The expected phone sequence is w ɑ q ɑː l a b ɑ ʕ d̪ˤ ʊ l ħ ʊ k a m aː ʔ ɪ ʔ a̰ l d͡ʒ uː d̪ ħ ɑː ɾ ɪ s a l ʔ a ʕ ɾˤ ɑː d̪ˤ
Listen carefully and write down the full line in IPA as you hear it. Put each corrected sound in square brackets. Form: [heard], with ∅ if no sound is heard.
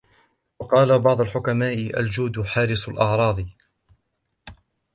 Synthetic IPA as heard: w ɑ q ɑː l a b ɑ ʕ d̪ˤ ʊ l ħ ʊ k a m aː ʔ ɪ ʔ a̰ l d͡ʒ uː d̪ ħ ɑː ɾ ɪ s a l ʔ [ɑ] ʕ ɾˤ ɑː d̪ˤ

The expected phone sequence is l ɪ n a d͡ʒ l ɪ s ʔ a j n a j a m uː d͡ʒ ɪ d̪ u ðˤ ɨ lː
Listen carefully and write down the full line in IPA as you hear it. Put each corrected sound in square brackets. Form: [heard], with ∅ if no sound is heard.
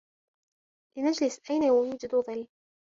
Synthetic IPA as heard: l ɪ n a d͡ʒ l ɪ s ʔ a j n a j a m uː d͡ʒ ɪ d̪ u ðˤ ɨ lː

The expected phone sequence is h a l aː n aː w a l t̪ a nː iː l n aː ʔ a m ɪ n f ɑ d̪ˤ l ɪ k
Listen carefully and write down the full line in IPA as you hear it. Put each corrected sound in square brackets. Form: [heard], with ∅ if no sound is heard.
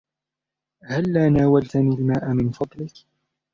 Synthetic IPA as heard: h a [lː] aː n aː w a l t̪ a [n] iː l [m] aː ʔ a m ɪ n f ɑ d̪ˤ l ɪ k

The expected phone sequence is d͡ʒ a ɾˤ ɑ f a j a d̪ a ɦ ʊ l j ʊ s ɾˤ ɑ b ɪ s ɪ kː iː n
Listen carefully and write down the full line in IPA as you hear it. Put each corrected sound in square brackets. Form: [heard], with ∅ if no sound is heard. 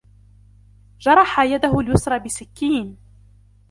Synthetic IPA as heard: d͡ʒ [ɑ] ɾˤ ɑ [ħ] a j a d̪ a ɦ ʊ l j ʊ s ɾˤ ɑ b ɪ s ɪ kː iː n

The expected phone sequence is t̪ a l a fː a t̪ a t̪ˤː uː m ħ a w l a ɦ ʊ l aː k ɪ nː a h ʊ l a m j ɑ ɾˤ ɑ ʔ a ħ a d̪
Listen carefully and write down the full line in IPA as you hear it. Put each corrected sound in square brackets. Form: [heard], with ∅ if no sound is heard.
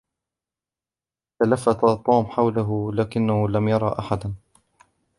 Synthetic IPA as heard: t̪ a l a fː a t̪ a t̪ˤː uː m ħ a w l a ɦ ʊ l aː k ɪ nː a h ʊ l a m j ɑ ɾˤ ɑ ʔ a ħ a d̪

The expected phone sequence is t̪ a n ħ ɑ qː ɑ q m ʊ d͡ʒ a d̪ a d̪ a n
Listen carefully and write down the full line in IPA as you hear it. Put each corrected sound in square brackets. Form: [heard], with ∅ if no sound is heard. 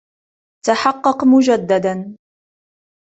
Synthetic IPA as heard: t̪ a [∅] ħ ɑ qː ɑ q m ʊ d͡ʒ a [d̪ː] a d̪ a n

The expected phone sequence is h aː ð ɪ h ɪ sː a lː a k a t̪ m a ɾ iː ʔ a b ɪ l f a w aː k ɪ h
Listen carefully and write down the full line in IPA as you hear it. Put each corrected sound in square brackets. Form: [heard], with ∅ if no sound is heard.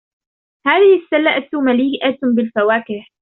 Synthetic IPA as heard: h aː ð ɪ h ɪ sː a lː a [ʔ] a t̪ m a [l] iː ʔ a b ɪ l f a w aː k ɪ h

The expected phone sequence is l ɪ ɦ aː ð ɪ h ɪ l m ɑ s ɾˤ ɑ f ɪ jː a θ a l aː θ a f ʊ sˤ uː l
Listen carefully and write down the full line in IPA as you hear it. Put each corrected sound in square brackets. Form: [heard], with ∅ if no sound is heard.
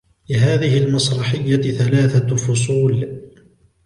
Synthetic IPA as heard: l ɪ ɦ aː ð ɪ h ɪ l m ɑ s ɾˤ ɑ [ħ] ɪ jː a θ a l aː θ a f ʊ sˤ uː l

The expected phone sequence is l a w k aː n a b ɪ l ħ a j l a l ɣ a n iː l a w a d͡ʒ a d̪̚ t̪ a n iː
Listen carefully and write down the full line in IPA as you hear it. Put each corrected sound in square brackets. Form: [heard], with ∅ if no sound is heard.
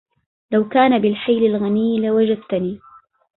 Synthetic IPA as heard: l a w k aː n a b ɪ l ħ a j l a l ɣ a n iː l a w a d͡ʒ a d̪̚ t̪ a n iː

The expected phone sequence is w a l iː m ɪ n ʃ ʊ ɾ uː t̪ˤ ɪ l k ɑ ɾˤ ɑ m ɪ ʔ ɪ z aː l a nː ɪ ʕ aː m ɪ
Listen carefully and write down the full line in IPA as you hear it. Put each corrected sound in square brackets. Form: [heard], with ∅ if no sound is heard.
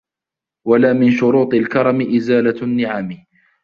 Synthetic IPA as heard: w a l [aː] m ɪ n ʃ ʊ ɾ uː t̪ˤ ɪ l k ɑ ɾˤ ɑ m ɪ ʔ ɪ z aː l a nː ɪ ʕ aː m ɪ

